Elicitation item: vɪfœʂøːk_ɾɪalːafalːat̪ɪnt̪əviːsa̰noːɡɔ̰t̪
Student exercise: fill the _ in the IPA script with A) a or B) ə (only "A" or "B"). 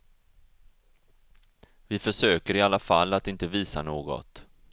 B